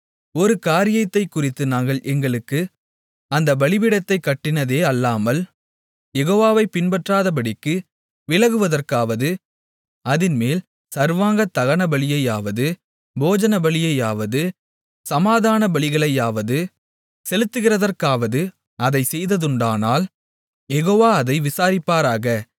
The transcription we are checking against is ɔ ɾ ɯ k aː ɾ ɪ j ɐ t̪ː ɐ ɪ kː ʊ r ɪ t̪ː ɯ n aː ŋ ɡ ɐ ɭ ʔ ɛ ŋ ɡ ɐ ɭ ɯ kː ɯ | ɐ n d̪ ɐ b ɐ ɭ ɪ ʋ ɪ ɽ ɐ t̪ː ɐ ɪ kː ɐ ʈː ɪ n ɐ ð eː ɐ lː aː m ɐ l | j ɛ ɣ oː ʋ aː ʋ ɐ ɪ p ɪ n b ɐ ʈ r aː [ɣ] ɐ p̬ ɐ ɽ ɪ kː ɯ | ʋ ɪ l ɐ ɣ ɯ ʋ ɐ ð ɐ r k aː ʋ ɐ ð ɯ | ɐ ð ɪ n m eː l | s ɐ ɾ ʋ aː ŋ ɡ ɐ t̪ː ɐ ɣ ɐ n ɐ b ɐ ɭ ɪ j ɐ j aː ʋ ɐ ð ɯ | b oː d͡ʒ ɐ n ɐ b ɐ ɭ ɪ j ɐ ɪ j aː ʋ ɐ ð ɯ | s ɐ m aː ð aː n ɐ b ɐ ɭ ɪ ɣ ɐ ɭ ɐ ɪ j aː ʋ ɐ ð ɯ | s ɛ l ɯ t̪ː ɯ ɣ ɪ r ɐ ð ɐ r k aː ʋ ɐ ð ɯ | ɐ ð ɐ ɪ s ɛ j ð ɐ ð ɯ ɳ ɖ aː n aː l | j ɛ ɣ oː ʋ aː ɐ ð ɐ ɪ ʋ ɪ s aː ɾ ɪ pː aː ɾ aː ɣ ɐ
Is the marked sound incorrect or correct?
incorrect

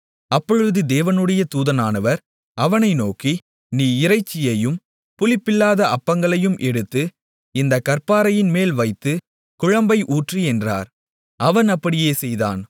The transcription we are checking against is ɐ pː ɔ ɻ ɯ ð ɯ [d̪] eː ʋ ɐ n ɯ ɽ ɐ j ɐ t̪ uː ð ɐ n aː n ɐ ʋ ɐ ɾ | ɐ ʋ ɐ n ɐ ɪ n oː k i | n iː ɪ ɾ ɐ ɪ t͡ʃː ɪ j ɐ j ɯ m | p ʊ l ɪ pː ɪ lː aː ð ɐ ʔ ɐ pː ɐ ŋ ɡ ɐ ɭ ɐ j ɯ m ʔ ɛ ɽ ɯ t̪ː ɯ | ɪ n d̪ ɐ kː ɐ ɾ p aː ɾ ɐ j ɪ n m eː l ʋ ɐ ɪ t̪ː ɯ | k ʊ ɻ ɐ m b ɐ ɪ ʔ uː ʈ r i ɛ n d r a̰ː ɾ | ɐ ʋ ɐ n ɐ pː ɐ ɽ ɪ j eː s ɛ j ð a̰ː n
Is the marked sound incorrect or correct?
correct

